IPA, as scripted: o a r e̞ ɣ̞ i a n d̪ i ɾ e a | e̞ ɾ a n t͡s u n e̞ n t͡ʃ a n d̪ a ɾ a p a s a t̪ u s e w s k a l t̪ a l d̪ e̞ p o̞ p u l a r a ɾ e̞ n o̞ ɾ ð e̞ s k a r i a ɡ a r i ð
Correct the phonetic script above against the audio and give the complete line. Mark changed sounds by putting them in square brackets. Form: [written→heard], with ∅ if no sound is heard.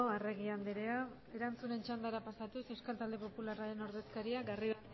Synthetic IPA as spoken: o a r e̞ ɣ̞ i a n d̪ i ɾ e a | e̞ ɾ a n t͡s u n e̞ n t͡ʃ a n d̪ a ɾ a p a s a t̪ u s e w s k a l t̪ a l d̪ e̞ p o̞ p u l a r a ɾ e̞ n o̞ ɾ ð e̞ s k a [r→ɾ] i a ɡ a r i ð